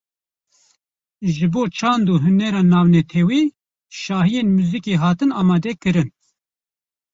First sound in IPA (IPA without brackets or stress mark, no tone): ʒ